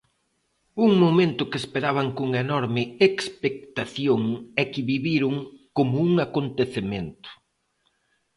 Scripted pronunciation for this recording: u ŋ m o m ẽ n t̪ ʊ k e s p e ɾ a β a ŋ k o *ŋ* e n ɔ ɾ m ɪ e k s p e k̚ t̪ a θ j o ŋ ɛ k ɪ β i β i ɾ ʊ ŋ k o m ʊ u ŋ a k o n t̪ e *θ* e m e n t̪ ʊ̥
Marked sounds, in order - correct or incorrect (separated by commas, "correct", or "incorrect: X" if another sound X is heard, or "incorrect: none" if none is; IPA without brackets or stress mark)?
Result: correct, correct